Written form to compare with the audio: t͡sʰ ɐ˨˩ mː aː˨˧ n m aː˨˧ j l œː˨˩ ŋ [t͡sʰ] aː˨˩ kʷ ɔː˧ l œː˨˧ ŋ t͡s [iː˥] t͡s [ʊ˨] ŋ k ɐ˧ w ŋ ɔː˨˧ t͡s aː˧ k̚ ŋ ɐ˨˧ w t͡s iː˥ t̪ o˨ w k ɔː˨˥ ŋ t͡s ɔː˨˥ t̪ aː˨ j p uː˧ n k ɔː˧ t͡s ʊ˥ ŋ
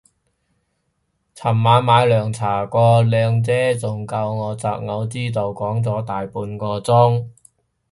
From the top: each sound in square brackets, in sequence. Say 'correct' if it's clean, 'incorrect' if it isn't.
correct, incorrect: ɛː˥, correct

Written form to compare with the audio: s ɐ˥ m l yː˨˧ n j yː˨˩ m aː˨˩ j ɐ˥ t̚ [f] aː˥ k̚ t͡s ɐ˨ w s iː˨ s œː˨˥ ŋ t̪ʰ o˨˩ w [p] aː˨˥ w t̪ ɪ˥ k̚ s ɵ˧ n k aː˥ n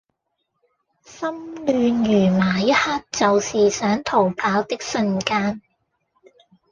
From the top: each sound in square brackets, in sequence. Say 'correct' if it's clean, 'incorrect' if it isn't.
incorrect: h, incorrect: pʰ

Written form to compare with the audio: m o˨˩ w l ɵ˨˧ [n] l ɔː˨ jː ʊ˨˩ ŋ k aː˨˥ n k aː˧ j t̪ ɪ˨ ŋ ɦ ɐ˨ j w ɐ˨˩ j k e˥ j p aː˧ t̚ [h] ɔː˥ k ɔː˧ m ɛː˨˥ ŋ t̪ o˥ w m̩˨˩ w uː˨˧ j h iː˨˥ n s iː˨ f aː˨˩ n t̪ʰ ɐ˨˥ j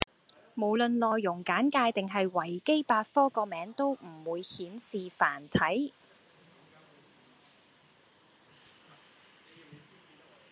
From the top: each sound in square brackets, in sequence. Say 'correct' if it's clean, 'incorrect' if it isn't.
correct, incorrect: f

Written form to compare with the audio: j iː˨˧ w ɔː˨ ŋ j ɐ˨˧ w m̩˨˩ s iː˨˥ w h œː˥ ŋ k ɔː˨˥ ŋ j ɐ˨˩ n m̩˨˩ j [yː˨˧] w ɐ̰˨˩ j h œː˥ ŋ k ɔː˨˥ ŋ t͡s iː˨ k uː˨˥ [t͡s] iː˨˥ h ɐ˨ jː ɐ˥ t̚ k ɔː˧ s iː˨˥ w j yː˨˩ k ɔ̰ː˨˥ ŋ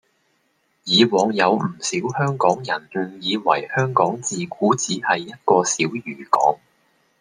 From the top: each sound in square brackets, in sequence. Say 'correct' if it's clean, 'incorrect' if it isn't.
incorrect: iː˨˧, correct

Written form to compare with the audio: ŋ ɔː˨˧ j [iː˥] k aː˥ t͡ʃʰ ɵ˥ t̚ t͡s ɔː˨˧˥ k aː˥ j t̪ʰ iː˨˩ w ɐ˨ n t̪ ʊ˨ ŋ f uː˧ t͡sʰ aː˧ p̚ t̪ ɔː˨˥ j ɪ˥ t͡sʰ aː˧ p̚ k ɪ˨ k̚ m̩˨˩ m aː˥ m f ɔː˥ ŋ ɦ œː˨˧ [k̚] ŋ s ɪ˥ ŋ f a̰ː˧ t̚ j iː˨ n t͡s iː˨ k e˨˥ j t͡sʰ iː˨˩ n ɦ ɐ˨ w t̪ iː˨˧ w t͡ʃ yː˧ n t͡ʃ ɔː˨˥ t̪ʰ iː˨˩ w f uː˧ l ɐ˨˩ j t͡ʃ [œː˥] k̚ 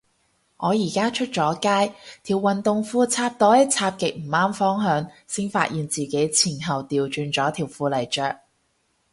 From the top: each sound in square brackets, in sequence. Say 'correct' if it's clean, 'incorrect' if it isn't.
incorrect: iː˨˩, incorrect: none, incorrect: œː˨

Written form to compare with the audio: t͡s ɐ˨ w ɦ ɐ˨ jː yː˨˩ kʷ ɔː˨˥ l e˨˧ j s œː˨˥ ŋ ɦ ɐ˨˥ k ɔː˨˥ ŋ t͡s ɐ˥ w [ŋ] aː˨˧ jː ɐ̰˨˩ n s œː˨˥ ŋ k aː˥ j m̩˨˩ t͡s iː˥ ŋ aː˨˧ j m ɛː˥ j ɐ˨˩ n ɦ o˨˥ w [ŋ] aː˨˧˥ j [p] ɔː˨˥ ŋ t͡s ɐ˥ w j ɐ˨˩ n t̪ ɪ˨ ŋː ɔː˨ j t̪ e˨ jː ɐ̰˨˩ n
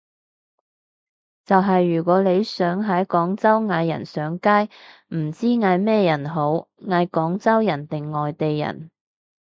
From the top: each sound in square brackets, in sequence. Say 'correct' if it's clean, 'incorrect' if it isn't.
correct, correct, incorrect: k

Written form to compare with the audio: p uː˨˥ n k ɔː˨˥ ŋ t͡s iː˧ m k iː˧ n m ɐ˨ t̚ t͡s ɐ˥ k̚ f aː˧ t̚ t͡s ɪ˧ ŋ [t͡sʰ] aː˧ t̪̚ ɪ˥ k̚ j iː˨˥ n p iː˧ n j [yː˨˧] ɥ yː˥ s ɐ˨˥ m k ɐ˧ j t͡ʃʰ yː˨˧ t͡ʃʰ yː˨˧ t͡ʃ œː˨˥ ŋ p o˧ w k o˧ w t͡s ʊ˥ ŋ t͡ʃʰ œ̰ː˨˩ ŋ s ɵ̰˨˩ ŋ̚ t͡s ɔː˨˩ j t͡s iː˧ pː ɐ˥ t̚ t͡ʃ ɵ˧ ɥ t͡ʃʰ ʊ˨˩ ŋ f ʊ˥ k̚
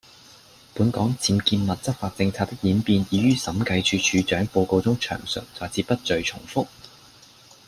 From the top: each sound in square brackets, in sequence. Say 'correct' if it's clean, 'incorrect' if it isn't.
correct, incorrect: iː˨˧

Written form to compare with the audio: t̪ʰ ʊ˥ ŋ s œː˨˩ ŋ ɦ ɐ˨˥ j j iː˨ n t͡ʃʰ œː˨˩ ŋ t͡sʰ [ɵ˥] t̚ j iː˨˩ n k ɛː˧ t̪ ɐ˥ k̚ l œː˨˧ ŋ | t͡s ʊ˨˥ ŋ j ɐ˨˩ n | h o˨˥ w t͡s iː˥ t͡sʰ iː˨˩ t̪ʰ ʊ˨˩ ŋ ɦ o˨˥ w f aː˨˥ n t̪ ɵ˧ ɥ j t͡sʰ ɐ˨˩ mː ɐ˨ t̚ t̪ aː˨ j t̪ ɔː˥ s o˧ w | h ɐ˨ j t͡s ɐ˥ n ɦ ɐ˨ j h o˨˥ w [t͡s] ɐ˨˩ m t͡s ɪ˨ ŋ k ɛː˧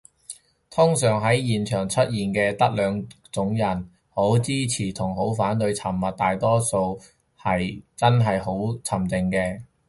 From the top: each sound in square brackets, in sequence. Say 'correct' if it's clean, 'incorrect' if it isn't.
correct, incorrect: t͡sʰ

